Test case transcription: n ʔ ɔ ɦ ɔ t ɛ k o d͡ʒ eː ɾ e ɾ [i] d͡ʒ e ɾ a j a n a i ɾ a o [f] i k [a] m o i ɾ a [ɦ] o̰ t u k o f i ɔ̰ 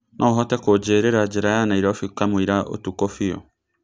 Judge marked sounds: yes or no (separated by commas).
no, yes, yes, no